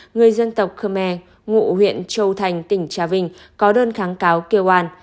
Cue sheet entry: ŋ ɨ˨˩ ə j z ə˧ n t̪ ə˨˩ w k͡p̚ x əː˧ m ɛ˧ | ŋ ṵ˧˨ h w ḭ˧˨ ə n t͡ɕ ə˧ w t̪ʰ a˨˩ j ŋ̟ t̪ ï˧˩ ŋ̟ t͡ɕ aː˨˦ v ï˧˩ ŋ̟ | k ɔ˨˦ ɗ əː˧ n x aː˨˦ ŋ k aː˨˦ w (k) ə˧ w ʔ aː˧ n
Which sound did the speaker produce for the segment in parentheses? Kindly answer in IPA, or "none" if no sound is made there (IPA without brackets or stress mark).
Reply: k